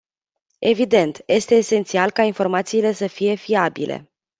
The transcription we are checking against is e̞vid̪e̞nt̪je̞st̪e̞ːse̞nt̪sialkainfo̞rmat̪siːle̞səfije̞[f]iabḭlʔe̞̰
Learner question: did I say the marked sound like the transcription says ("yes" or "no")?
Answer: yes